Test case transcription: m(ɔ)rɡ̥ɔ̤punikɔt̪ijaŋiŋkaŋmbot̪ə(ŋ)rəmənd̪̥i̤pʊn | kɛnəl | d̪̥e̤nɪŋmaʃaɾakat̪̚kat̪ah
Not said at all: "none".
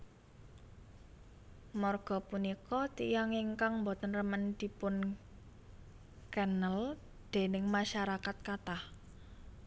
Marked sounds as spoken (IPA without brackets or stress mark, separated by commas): ɔ, n